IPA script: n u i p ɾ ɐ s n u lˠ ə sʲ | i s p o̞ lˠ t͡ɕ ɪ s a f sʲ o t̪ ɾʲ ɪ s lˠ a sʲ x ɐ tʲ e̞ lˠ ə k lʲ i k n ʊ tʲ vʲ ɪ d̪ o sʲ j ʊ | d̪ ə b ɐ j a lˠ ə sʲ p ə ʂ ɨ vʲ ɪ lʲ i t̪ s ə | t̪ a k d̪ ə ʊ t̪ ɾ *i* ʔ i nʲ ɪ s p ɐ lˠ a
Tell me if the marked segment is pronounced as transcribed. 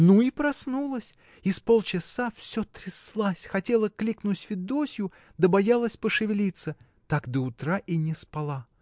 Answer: no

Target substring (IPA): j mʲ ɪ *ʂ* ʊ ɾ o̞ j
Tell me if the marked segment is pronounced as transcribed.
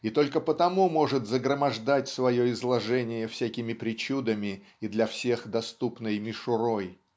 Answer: yes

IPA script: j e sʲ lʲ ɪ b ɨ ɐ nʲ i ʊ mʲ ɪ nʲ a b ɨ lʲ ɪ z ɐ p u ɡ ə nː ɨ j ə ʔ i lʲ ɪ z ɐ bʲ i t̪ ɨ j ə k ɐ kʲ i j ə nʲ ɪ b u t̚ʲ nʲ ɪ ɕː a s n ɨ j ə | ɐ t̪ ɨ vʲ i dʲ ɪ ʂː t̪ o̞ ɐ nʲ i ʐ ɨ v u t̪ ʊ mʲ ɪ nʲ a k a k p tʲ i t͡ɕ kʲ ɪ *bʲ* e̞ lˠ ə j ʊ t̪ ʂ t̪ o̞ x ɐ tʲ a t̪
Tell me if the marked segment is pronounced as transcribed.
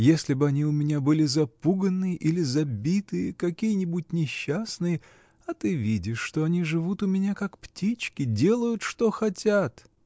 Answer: no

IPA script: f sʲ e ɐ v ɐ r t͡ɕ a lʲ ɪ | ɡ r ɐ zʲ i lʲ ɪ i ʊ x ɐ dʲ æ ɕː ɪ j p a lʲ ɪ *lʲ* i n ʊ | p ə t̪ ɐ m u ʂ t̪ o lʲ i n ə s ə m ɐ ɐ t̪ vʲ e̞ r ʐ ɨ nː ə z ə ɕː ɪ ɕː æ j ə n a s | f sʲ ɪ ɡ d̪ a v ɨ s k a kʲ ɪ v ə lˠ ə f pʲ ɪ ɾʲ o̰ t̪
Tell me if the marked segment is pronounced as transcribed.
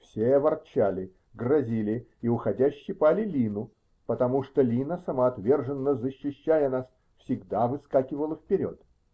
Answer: yes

